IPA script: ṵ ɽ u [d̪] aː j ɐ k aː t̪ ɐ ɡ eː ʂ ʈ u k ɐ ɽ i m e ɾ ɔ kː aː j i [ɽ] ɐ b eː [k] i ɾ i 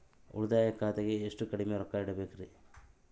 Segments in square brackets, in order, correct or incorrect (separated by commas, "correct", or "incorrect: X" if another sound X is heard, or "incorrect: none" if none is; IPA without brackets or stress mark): correct, correct, correct